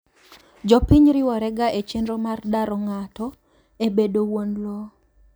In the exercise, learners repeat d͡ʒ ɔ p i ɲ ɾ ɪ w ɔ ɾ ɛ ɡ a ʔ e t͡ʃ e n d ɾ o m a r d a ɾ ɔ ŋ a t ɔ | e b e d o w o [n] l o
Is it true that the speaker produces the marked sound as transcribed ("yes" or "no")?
yes